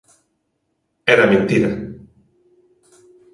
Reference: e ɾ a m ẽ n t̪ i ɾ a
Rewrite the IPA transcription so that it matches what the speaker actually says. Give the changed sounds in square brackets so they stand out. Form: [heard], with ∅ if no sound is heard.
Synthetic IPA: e ɾ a m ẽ n t̪ i ɾ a